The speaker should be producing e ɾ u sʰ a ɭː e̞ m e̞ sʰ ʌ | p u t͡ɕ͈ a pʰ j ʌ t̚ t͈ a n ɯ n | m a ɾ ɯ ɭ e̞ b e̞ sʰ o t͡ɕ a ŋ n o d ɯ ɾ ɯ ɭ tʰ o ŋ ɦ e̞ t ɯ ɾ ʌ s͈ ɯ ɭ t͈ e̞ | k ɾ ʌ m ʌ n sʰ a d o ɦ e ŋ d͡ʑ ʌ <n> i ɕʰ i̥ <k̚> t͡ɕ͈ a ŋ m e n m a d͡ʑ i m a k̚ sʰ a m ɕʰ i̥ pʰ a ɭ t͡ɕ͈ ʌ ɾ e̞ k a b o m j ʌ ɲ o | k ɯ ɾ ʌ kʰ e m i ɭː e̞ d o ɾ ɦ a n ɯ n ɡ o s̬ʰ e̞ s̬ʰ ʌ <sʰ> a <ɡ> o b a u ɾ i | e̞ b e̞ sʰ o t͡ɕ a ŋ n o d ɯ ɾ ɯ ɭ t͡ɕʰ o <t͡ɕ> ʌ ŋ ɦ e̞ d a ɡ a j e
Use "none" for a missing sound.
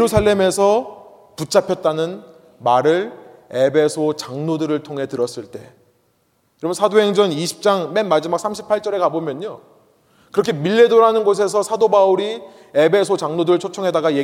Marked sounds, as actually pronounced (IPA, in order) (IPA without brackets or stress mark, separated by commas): n, p̚, sʰ, d, t͡ɕʰ